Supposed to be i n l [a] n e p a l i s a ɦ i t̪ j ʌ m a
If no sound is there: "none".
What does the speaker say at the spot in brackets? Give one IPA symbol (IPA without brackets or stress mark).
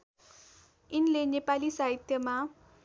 e